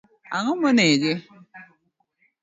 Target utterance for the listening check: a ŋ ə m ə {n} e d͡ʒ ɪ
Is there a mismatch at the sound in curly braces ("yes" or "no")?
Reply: no